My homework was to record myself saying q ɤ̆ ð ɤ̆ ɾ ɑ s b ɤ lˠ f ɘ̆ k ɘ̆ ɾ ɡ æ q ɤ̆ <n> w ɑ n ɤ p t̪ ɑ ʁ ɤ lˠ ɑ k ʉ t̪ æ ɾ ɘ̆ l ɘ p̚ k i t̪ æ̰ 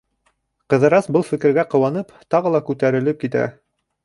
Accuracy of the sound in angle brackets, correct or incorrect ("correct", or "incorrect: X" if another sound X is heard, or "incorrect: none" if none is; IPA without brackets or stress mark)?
incorrect: none